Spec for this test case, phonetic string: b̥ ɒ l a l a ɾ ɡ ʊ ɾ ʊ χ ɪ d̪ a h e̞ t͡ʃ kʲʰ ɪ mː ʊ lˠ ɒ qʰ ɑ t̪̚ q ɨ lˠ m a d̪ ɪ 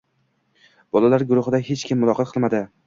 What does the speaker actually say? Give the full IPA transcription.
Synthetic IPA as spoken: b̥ ɒ l a l a ɾ ɡ ʊ ɾ ʊ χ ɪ d̪ a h e̞ t͡ʃ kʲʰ ɪ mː ʊ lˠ ɒ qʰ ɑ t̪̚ qʰ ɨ lˠ m a d̪ ɪ